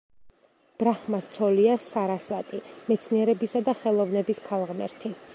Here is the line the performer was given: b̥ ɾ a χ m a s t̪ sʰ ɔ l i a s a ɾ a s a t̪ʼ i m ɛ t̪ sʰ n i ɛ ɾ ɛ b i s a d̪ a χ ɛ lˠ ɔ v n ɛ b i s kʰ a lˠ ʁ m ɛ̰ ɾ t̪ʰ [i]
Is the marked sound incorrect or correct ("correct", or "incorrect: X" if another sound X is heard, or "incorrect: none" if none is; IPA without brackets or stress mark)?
correct